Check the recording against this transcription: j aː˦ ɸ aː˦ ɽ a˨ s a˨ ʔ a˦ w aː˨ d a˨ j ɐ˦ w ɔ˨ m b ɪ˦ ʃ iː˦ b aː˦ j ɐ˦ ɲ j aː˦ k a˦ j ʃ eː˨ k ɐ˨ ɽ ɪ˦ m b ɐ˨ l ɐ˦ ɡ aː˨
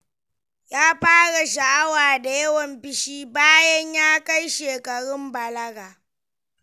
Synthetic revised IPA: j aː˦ ɸ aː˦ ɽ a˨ ʃ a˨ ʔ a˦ w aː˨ d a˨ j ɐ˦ w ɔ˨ m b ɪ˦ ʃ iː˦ b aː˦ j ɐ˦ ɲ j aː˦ k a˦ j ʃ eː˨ k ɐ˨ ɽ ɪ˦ m b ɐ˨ l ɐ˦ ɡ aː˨